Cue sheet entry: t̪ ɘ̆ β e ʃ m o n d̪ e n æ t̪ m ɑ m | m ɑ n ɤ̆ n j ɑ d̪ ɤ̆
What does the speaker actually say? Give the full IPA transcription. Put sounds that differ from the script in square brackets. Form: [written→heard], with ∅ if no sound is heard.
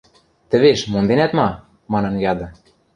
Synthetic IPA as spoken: t̪ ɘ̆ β e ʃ m o n d̪ e n æ t̪ m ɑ [m→∅] | m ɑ n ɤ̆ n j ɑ d̪ ɤ̆